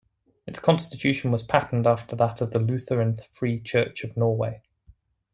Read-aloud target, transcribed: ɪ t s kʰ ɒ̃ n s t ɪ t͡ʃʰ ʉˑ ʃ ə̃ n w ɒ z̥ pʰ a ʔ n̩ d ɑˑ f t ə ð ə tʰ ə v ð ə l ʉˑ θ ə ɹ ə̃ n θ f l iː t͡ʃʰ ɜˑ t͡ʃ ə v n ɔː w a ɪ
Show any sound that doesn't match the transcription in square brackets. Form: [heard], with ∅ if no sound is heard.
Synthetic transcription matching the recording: ɪ t s kʰ ɒ̃ n s t ɪ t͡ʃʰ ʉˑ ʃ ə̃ n w ɒ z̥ pʰ a ʔ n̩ d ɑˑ f t ə ð ə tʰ ə v ð ə l ʉˑ θ ə ɹ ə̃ n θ f [ɹ] iː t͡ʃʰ ɜˑ t͡ʃ ə v n ɔː w [e] ɪ